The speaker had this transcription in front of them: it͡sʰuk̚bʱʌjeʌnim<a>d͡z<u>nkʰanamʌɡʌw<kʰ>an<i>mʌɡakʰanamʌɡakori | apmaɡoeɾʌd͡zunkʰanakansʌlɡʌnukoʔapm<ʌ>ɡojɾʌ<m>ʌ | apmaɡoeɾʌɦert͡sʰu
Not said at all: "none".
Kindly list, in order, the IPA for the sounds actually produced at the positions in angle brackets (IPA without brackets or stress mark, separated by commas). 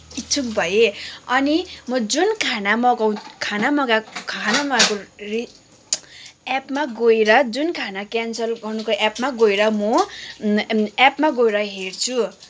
ʌ, u, kʰ, a, a, m